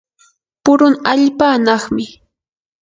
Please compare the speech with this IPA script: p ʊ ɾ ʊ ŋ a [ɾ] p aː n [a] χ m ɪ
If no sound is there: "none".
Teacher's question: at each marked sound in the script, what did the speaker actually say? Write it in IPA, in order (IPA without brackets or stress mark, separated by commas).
ʎ, ɑ